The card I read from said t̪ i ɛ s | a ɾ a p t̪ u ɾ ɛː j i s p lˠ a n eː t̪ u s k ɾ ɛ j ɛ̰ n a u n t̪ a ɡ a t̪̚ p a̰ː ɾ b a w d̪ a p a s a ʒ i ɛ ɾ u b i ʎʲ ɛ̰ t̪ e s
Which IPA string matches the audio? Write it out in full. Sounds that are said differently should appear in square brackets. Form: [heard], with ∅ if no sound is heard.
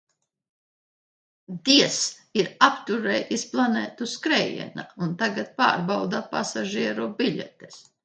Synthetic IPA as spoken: [d̪] i ɛ s | [i] ɾ a p t̪ u ɾ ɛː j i s p lˠ a n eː t̪ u s k ɾ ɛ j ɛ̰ n a u n t̪ a ɡ a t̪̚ p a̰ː ɾ b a w d̪ a p a s a ʒ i ɛ ɾ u b i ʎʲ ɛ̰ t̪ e s